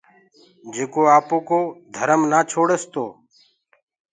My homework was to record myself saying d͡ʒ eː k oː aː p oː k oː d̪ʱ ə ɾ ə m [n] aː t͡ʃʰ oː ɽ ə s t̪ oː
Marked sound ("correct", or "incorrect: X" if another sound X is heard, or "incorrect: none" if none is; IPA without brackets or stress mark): correct